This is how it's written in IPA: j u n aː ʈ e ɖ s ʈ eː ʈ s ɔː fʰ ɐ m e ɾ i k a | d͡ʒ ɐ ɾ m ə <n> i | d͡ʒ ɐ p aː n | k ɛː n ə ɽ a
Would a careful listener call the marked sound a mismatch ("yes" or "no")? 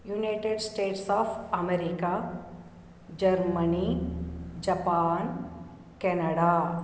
no